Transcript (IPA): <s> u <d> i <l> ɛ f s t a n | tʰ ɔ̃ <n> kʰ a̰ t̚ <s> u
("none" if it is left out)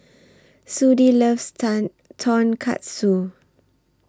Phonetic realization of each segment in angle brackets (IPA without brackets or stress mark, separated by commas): s, d, l, n, s